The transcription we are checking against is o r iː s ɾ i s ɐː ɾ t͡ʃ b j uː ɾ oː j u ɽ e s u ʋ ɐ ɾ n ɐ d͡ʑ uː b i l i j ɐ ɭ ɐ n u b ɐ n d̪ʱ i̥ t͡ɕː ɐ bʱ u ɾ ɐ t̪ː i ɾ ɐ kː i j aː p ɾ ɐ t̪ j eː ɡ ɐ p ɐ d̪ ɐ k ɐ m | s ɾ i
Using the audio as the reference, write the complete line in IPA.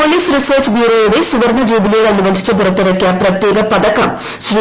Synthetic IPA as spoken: o l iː s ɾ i s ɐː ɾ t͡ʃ b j uː ɾ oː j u ɽ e s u ʋ ɐ ɾ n ɐ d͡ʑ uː b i l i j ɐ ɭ ɐ n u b ɐ n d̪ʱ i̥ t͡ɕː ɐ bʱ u ɾ ɐ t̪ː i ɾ ɐ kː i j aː p ɾ ɐ t̪ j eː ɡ ɐ p ɐ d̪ ɐ k ɐ m | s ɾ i